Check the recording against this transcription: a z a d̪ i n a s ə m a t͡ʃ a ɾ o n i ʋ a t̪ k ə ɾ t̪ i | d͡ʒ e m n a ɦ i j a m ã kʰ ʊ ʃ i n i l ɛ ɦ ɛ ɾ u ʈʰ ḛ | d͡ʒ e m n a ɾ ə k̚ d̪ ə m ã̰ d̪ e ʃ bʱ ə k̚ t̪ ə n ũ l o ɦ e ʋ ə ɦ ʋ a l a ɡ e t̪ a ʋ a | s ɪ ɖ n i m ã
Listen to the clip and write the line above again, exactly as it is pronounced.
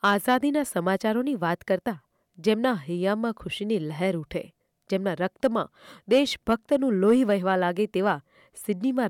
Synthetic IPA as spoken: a z a d̪ i n a s ə m a t͡ʃ a ɾ o n i ʋ a t̪ k ə ɾ t̪ a | d͡ʒ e m n a ɦ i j a m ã kʰ ʊ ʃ i n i l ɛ ɦ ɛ ɾ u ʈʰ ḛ | d͡ʒ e m n a ɾ ə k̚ t̪ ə m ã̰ d̪ e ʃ bʱ ə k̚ t̪ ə n ũ l o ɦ i ʋ ə ɦ ʋ a l a ɡ e t̪ e ʋ a | s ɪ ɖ n i m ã